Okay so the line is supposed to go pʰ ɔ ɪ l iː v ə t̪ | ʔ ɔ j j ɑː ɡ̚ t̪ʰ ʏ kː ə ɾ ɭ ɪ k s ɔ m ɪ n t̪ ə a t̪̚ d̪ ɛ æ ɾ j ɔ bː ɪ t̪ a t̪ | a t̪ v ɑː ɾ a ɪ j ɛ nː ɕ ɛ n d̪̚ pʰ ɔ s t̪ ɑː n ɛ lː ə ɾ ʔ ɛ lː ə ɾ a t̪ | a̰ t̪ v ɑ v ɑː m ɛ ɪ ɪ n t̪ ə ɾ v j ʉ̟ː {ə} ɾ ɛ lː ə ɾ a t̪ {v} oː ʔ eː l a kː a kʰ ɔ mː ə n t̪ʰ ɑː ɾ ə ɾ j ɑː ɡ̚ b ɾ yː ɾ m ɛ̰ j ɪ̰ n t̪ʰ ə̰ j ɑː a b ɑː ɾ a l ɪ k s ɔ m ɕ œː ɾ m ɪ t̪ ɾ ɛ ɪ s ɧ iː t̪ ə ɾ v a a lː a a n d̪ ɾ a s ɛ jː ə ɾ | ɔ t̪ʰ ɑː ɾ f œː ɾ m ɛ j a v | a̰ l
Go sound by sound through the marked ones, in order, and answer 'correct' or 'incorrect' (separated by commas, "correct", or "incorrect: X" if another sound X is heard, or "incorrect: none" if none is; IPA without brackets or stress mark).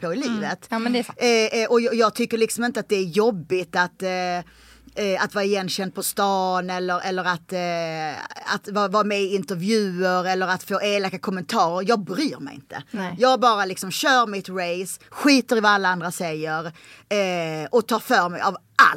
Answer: correct, incorrect: f